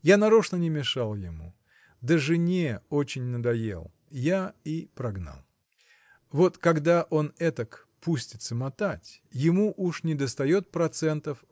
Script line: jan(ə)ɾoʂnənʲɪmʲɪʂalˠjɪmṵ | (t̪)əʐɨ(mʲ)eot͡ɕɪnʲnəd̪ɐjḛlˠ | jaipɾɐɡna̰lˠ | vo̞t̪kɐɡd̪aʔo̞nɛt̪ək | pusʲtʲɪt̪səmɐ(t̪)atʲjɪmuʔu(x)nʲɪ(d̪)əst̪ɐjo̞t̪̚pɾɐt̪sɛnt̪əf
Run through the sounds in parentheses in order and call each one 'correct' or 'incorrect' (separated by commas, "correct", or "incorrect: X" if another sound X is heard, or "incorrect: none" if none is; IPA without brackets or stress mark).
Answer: incorrect: ɐ, incorrect: d̪, incorrect: nʲ, correct, incorrect: ʂ, correct